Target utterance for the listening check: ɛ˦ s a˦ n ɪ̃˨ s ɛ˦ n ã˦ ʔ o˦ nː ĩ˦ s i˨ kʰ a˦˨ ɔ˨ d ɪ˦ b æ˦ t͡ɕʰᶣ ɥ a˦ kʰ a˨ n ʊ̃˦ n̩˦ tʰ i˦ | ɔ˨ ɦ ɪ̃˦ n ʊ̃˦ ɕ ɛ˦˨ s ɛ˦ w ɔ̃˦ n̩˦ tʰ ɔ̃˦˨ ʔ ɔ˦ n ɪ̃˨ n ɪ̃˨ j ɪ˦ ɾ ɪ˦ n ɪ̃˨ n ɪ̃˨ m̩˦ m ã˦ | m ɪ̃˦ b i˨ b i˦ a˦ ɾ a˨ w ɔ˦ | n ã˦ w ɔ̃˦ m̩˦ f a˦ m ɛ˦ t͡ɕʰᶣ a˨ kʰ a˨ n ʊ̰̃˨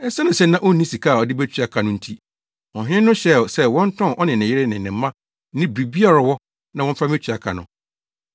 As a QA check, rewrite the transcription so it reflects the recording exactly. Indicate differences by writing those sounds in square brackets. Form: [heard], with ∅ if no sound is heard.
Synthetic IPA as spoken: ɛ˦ s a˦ n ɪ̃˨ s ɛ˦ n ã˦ ʔ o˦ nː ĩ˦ s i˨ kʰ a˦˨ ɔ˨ d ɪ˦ b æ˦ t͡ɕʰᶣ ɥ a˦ kʰ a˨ n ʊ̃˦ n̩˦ tʰ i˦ | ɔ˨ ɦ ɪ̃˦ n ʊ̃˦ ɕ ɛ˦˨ s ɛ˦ w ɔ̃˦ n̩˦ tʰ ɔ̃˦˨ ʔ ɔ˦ n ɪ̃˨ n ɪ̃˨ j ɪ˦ ɾ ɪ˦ n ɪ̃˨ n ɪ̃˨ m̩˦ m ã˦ | [n] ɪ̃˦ b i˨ b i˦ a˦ ɾ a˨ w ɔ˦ | n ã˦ w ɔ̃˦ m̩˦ f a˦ m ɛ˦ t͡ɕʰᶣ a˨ kʰ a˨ n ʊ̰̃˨